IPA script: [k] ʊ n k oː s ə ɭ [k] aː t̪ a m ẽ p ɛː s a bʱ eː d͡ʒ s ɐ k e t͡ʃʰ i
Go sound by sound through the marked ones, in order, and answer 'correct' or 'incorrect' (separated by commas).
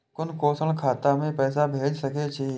correct, incorrect